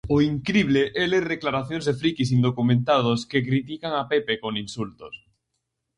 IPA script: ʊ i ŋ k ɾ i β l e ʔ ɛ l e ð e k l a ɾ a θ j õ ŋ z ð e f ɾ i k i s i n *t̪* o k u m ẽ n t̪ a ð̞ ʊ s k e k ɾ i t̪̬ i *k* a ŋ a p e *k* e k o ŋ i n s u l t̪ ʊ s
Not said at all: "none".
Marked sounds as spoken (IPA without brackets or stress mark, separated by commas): d̪, k, p